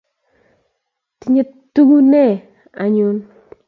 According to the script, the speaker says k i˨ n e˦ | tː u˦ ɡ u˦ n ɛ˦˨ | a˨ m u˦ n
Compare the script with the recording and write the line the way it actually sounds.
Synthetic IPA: t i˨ ɲ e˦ | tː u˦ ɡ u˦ n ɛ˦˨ | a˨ ɲ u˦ n